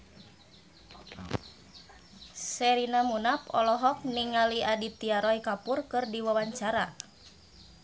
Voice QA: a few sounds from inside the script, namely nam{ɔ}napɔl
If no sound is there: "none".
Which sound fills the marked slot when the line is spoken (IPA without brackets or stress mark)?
u